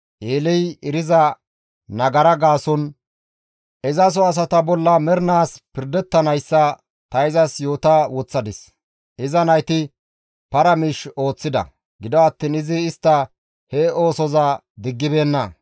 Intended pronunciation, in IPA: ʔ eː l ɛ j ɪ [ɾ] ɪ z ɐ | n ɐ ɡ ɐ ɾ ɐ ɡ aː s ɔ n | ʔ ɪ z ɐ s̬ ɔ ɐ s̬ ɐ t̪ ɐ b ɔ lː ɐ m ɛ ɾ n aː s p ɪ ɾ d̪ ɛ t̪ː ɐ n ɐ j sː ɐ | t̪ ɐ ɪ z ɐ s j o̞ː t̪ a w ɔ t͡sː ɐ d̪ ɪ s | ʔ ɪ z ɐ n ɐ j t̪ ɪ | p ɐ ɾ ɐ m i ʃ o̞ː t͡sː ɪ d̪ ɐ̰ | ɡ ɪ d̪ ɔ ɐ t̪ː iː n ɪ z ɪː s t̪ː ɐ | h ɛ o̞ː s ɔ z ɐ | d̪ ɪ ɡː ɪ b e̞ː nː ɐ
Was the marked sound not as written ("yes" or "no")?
no